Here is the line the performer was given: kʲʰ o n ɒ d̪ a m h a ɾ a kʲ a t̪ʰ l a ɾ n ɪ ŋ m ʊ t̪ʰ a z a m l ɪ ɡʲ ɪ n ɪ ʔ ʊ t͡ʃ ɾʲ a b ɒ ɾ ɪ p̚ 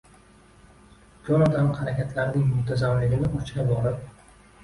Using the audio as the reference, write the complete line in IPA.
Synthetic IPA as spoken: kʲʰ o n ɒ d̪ a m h a ɾ a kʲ a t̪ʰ l a ɾ n ɪ ŋ m ʊ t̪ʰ a z a m l ɪ ɡʲ ɪ n ɪ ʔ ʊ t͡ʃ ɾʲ a b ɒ ɾ ɪ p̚